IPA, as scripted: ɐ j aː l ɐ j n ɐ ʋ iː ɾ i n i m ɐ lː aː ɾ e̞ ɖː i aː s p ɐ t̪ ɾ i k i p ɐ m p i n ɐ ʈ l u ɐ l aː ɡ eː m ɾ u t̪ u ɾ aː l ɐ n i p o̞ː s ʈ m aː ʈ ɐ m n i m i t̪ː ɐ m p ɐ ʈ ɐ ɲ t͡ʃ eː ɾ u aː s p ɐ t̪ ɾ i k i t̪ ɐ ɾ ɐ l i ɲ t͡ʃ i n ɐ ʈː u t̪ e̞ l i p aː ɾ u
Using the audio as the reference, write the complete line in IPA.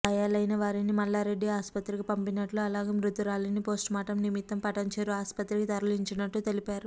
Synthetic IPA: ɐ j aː l ɐ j n ɐ ʋ aː ɾ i n i m ɐ lː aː ɾ e̞ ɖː i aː s p ɐ t̪ ɾ i k i p ɐ m p i n ɐ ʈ l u ɐ l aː ɡ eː m ɾ u t̪ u ɾ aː l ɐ n i p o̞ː s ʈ m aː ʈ ɐ m n i m i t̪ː ɐ m p ɐ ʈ ɐ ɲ t͡ʃ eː ɾ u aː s p ɐ t̪ ɾ i k i t̪ ɐ ɾ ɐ l i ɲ t͡ʃ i n ɐ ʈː u t̪ e̞ l i p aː ɾ u